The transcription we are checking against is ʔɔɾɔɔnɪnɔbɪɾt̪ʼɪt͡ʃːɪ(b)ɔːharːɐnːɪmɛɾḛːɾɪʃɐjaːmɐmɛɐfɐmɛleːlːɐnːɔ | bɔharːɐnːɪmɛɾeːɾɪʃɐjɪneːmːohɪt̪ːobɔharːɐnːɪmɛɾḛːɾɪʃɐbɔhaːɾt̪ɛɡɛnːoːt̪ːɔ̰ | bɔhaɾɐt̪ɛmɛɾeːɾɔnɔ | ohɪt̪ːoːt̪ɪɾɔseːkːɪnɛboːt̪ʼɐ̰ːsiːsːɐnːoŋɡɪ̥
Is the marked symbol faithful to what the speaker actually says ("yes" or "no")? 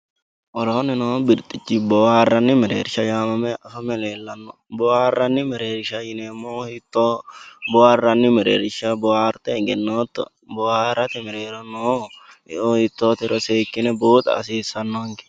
yes